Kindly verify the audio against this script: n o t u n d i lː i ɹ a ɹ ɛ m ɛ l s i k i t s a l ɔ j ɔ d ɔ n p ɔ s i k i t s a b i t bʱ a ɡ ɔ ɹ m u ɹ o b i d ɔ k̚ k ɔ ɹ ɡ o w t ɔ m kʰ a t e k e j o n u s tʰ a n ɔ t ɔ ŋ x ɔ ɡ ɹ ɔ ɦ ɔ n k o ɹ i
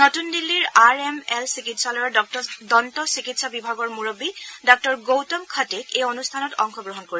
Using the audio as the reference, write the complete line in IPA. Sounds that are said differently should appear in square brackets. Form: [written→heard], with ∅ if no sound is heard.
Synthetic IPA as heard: n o t u n d i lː i ɹ a ɹ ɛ m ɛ l s i k i t s a l ɔ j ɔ d ɔ n [p→t] ɔ s i k i t s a b i [t→∅] bʱ a ɡ ɔ ɹ m u ɹ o b i d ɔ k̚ [k→t] ɔ ɹ ɡ o w t ɔ m kʰ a t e k e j o n u s tʰ a n ɔ t ɔ ŋ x ɔ ɡ ɹ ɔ ɦ ɔ n k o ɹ i